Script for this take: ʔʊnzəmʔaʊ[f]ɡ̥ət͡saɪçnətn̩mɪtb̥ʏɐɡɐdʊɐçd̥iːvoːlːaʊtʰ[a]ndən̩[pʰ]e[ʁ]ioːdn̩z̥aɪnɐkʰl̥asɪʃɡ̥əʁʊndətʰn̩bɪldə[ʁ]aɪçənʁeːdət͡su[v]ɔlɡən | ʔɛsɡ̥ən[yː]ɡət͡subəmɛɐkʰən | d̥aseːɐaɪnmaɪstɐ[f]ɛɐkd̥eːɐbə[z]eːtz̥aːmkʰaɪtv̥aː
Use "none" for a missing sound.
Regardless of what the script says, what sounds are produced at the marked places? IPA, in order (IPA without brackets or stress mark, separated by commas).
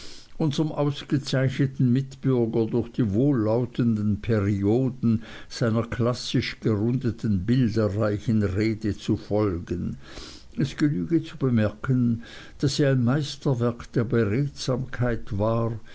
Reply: s, ə, pʰ, ʁ, ʁ, f, yː, v, ʁ